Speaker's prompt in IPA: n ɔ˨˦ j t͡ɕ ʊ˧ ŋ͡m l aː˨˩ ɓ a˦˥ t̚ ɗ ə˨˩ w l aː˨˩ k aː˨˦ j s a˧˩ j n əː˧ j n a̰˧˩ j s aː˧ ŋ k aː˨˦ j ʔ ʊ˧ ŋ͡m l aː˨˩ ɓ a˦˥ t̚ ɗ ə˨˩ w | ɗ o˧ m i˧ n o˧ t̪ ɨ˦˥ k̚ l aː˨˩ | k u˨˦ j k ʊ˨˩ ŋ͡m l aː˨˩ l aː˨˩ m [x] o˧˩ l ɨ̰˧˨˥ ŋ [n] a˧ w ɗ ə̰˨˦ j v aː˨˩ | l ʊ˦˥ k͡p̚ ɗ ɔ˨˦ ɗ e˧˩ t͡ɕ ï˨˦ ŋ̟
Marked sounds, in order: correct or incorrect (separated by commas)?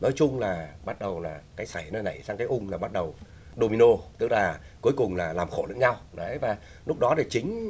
correct, incorrect